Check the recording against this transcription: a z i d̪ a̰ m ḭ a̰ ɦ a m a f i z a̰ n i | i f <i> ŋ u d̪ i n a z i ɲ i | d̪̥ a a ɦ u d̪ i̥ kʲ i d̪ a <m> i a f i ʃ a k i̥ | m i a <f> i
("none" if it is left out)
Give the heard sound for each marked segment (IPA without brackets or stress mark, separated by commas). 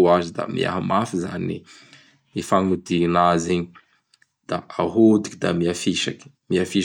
a, m, f